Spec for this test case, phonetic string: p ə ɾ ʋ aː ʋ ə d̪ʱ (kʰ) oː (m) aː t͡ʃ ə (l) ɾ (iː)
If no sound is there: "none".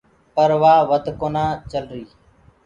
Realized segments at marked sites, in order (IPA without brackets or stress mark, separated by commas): k, n, l, iː